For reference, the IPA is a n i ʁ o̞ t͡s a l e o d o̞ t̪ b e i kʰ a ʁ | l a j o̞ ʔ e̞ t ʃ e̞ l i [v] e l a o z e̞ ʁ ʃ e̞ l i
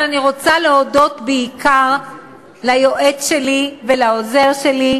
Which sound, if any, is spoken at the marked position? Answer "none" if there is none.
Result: v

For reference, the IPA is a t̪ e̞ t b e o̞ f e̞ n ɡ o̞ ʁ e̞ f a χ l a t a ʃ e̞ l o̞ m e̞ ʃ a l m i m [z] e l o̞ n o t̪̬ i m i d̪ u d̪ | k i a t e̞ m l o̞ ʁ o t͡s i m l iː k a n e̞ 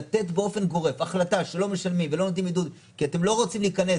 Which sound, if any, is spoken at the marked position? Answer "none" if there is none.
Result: v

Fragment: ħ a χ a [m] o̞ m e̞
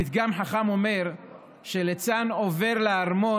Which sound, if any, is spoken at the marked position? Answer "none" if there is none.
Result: m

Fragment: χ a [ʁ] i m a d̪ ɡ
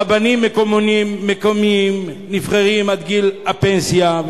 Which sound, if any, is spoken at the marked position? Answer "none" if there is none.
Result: ʁ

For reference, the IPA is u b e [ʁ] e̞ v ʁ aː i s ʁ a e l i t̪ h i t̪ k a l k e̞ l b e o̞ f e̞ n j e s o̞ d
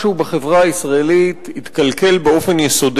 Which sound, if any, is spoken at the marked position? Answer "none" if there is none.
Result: χ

